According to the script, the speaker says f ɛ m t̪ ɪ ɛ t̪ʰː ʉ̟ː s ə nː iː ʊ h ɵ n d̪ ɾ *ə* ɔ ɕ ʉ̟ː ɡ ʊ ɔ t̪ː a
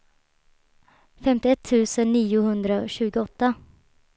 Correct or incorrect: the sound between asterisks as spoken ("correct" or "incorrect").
incorrect